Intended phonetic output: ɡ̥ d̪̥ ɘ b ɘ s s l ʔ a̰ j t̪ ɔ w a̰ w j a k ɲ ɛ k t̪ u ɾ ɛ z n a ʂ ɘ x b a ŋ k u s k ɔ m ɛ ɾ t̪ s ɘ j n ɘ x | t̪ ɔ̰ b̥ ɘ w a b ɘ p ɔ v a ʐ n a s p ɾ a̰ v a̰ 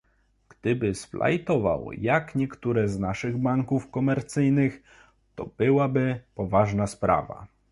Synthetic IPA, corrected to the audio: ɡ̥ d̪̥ ɘ b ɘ s f l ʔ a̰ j t̪ ɔ v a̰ w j a k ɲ ɛ k t̪ u ɾ ɛ z n a ʂ ɘ ɣ b a ŋ k u f k ɔ m ɛ ɾ t̪ s ɘ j n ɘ x | t̪ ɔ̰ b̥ ɘ w a b ɘ p ɔ v a ʐ n a s p ɾ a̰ v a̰

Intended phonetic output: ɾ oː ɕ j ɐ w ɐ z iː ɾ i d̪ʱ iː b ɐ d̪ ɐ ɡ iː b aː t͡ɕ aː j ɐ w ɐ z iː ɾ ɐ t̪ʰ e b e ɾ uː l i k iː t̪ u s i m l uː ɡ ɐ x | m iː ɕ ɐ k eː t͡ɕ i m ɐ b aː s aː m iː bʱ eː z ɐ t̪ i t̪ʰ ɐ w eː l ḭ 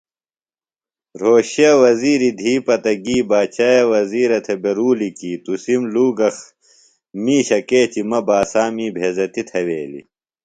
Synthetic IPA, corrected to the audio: ɾ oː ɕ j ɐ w ɐ z iː ɾ i d̪ʱ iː p ɐ t̪ ɐ ɡ iː b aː t͡ɕ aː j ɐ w ɐ z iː ɾ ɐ t̪ʰ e b e ɾ uː l i k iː t̪ u s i m l uː ɡ ɐ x | m iː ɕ ɐ k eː t͡ɕ i m ɐ b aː s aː m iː bʱ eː z ɐ t̪ i t̪ʰ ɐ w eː l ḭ

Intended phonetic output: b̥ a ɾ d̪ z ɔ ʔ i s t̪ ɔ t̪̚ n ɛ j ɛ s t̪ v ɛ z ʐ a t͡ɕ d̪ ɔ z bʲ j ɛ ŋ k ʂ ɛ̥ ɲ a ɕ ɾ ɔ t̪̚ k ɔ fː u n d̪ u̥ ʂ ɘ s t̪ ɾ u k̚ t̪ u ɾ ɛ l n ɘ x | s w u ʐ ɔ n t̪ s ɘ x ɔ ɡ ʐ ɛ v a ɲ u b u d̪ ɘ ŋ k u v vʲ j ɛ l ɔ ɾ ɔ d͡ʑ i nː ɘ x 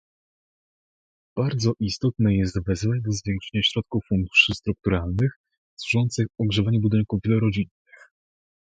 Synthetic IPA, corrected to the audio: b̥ a ɾ d̪ z ɔ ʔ i s t̪ ɔ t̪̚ n ɛ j ɛ s t̪ v ɛ z v a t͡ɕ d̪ ɔ z vʲ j ɛ ŋ k ʂ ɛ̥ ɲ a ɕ ɾ ɔ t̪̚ k u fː u n d̪ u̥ ʂ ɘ s t̪ ɾ u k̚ t̪ u ɾ a l n ɘ x | s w u ʐ ɔ n t̪ s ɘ x ɔ ɡ ʐ ɛ v a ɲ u b u d̪ ɘ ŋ k u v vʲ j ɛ l ɔ ɾ ɔ d͡ʑ i nː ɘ x

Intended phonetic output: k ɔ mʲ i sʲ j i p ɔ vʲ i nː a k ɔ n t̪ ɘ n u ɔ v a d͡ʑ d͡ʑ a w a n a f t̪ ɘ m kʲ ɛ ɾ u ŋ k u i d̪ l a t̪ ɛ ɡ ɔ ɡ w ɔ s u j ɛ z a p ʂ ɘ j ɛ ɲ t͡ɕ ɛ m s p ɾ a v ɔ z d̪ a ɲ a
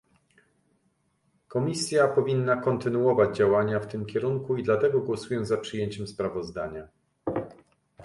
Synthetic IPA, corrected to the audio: k ɔ mʲ i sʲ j a p ɔ vʲ i nː a k ɔ n t̪ ɘ n u ɔ v a d͡ʑ d͡ʑ a w a ɲ a f t̪ ɘ m kʲ ɛ ɾ u ŋ k u i d̪ l a t̪ ɛ ɡ ɔ ɡ w ɔ s u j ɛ z a p ʂ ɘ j e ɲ t͡ɕ ɛ m s p ɾ a v ɔ z d̪ a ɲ a

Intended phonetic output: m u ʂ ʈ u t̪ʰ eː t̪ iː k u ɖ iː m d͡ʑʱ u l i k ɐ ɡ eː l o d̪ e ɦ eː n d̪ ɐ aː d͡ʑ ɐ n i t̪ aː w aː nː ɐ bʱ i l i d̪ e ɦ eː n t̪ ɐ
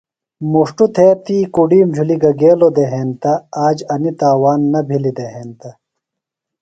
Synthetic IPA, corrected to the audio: m u ʂ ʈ u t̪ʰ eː t̪ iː k u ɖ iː m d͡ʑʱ u l i ɡ ɐ ɡ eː l o d̪ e ɦ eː n t̪ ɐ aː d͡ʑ ɐ n i t̪ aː w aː nː ɐ bʱ i l i d̪ e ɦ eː n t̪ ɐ

